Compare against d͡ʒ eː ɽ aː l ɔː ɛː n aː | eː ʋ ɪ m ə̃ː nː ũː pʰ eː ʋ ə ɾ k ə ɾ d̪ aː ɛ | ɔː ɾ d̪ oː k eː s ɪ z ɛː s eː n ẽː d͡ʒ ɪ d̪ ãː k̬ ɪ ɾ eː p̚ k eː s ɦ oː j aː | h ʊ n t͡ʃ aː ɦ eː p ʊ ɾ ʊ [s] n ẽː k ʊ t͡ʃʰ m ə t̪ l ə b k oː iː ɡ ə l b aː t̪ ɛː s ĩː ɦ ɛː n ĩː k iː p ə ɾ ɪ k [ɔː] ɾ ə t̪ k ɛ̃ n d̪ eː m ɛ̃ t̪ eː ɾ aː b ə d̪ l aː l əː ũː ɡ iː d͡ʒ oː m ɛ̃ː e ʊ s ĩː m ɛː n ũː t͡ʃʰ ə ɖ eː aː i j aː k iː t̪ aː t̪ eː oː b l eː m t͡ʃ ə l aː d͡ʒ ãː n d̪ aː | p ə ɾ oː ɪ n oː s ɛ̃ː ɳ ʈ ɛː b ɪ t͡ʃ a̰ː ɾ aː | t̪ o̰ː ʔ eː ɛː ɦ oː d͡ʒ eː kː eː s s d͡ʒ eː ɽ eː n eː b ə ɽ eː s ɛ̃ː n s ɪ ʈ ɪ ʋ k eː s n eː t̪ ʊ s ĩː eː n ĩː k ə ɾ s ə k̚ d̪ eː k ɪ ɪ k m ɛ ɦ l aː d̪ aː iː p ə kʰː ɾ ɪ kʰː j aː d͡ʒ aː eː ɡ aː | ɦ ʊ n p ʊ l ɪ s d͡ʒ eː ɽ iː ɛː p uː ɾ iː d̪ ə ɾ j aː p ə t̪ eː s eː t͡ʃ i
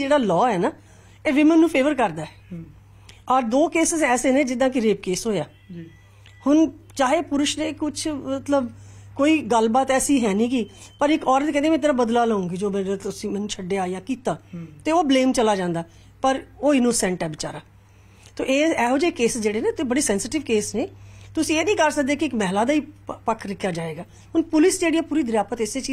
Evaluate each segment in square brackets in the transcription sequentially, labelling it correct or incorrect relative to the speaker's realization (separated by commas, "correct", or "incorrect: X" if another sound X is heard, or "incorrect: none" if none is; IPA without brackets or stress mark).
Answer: incorrect: ʃ, correct